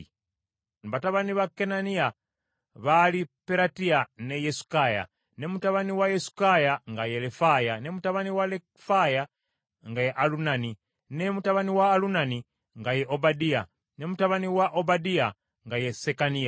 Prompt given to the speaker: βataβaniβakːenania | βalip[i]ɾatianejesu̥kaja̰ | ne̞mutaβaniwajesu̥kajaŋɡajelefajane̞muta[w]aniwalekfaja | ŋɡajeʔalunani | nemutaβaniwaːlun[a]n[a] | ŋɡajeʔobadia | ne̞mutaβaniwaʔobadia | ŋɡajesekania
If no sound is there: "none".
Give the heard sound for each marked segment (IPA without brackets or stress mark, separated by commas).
e, β, a, i